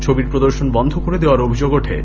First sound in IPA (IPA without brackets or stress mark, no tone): t͡ɕʰ